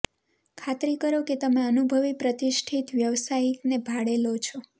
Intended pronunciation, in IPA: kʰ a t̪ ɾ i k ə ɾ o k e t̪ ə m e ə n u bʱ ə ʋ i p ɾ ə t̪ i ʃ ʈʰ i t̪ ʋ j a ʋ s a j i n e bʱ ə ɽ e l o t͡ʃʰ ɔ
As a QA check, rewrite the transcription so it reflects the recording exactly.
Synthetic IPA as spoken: kʰ a t̪ ɾ i k ə ɾ o k e t̪ ə m e ə n u bʱ ə ʋ i p ɾ ə t̪ i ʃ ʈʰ i t̪ ʋ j ə ʋ s a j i n e bʱ a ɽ e l o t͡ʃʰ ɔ

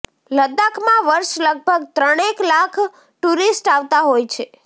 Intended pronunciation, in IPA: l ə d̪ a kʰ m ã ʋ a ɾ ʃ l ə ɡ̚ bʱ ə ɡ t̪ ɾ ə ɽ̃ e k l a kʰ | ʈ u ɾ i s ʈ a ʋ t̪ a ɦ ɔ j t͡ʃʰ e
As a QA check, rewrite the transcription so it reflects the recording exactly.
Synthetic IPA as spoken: l ə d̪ a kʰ m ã ʋ ə ɾ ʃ l ə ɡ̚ bʱ ə ɡ t̪ ɾ ə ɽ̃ e k l a kʰ | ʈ u ɾ i s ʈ a ʋ t̪ a ɦ o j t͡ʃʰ e

